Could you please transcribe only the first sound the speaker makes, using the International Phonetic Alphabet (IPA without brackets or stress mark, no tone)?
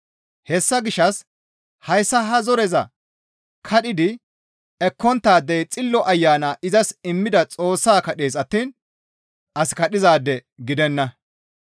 h